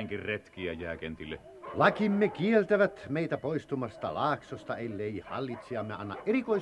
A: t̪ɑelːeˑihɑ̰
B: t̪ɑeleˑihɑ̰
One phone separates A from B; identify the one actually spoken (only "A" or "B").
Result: A